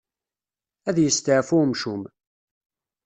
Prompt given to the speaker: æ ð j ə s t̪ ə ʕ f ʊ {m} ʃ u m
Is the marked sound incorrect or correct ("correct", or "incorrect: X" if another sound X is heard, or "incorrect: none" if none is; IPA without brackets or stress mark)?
correct